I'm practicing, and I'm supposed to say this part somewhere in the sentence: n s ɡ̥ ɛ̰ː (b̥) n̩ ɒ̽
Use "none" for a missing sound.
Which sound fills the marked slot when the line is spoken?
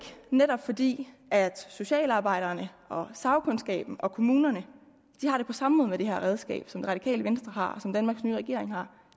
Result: b̥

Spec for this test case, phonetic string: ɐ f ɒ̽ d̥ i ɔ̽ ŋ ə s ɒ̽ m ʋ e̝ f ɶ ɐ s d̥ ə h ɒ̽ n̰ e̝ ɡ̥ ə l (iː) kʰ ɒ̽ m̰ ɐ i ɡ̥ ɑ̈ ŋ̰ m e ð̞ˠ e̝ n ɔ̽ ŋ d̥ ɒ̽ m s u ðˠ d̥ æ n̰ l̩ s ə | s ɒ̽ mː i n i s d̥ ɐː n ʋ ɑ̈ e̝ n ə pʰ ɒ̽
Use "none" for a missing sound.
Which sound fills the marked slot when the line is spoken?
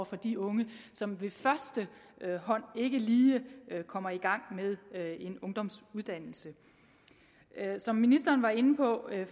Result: iː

